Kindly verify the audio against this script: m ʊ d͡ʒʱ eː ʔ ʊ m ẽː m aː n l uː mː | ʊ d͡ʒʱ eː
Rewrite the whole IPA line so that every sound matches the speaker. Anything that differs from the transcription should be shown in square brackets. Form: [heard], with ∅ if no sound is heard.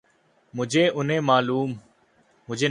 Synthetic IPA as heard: m ʊ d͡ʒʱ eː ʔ ʊ [n] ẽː m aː [∅] l uː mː | ʊ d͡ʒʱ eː